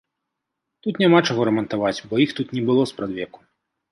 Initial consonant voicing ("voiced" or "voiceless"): voiceless